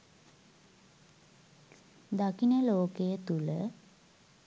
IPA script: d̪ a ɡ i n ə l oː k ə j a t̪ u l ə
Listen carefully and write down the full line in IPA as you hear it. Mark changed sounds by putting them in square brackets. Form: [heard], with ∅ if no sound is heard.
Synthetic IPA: d̪ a [k] i n ə l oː k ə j [ə] t̪ u l ə